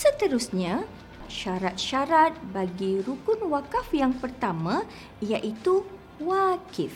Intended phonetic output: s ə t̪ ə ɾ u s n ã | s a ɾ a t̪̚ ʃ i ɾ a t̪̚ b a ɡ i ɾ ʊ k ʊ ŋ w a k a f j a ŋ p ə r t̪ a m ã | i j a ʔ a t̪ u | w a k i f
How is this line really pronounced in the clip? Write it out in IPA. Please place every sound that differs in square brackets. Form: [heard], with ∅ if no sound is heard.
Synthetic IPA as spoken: s ə t̪ ə ɾ u s [ɲ] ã | [ʃ] a ɾ a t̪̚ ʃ [a] ɾ a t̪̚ b a ɡ i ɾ [u] k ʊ [n] w a k a f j a ŋ p ə r t̪ a m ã | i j a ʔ [i] t̪ u | w a k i f